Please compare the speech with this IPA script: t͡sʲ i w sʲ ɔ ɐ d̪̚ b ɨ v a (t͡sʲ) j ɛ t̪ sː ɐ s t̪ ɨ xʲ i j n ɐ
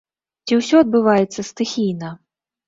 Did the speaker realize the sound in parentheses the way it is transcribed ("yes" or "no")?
no